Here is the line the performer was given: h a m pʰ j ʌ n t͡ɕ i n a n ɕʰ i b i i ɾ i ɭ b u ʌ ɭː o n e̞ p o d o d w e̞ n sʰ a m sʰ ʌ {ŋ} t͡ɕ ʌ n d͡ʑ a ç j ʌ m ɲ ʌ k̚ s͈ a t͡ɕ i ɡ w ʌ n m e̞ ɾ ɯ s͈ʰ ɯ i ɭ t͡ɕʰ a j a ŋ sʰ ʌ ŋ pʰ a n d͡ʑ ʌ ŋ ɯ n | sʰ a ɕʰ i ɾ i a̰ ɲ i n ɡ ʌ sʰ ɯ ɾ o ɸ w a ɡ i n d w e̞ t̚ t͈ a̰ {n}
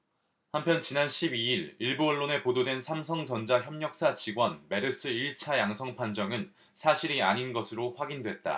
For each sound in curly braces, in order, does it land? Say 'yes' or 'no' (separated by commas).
yes, no